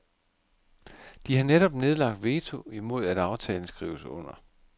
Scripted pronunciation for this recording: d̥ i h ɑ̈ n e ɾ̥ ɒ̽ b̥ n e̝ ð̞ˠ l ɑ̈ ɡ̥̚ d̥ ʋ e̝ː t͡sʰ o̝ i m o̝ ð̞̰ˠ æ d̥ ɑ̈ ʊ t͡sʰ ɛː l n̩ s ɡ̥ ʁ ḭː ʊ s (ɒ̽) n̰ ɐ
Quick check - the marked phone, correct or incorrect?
incorrect